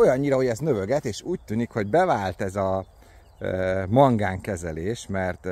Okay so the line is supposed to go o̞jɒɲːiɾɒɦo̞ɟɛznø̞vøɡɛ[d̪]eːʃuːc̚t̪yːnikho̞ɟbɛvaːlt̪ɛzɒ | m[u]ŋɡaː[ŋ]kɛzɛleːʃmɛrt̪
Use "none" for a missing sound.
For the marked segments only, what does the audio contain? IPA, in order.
t̪, ɒ, ŋ

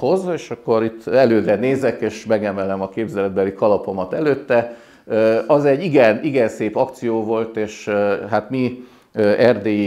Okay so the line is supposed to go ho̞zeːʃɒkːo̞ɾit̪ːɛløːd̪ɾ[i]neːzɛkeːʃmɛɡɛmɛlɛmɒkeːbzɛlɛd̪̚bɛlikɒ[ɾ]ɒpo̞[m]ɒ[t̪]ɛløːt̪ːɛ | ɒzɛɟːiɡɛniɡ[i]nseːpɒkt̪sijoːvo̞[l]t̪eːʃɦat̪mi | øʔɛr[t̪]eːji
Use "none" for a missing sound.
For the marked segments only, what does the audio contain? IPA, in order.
ɛ, l, m, t̪, ɛ, l, d̪

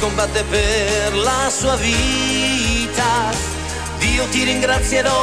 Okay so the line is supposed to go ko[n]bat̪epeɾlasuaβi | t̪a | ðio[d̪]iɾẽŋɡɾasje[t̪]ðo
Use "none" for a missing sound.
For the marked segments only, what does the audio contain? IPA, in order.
m, t̪, none

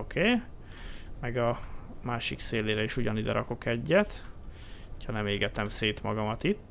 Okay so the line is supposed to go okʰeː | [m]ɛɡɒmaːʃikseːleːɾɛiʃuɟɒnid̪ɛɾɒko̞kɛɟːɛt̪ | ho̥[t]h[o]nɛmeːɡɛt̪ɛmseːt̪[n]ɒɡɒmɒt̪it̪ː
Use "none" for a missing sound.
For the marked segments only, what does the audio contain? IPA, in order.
m, c, ɒ, m

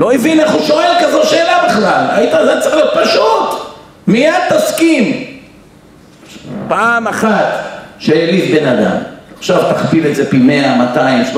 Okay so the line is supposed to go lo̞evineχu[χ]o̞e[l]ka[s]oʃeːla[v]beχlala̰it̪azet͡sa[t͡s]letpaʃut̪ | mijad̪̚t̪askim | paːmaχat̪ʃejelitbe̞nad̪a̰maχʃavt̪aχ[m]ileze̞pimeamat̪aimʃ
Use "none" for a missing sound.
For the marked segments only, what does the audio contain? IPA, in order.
ʃ, l, z, none, none, b

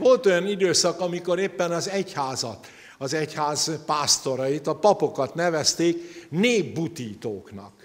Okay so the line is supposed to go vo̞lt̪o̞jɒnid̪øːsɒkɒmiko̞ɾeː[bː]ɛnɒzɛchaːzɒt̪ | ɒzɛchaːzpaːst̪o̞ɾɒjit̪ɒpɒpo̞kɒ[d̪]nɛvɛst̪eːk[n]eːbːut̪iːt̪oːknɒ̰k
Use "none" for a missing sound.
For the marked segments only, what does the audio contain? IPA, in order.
pː, t̪, n

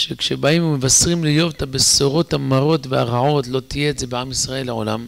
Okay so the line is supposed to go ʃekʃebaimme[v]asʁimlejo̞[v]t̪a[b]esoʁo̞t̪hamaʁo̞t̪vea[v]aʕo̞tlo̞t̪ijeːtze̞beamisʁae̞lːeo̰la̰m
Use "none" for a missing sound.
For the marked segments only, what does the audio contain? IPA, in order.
v, v, b, ʁ

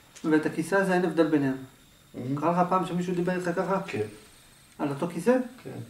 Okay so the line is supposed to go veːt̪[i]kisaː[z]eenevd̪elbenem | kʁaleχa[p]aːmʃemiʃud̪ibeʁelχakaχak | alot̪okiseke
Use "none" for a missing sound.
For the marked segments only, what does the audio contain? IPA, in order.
a, z, p

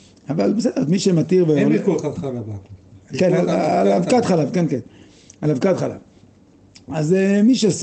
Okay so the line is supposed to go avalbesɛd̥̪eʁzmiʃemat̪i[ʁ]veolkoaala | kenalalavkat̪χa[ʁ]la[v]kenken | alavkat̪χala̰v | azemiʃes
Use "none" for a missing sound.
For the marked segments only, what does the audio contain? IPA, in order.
ʁ, none, v

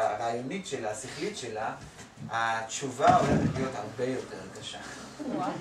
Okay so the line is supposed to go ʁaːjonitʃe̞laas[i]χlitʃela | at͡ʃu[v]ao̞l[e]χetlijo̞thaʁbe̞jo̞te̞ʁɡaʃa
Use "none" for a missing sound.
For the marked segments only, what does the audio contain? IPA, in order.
i, v, e

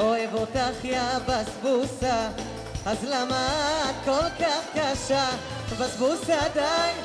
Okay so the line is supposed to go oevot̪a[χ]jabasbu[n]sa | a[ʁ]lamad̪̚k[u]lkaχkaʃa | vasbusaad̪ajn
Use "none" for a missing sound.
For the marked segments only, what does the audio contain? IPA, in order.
χ, none, z, o

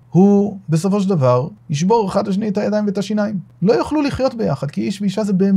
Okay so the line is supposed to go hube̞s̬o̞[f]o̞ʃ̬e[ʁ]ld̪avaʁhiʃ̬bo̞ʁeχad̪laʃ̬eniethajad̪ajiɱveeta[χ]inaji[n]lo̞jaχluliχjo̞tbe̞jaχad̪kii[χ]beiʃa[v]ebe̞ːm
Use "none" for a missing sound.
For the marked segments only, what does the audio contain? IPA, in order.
f, none, ʃ, m, ʃ, z

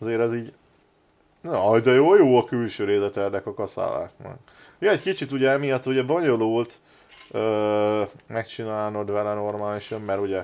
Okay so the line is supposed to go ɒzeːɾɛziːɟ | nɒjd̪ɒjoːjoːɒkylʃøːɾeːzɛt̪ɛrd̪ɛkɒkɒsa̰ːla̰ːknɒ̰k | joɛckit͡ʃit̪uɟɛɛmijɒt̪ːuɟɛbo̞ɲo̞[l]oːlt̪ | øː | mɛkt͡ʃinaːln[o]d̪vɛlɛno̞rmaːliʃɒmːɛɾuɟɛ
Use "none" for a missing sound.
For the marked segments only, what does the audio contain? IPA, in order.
l, o

